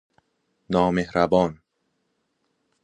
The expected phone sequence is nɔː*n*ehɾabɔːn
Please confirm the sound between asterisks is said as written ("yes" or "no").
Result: no